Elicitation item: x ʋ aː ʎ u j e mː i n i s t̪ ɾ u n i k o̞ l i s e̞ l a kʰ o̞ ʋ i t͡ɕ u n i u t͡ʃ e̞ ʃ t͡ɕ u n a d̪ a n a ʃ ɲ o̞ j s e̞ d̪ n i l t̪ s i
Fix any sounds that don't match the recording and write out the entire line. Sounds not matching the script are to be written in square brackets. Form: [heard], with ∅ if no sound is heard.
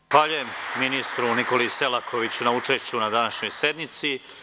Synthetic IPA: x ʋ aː ʎ u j e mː i n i s t̪ ɾ u n i k o̞ l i s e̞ l a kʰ o̞ ʋ i t͡ɕ u n [a] u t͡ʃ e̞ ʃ t͡ɕ u n a d̪ a n a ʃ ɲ o̞ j s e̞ d̪ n i [∅] t̪ s i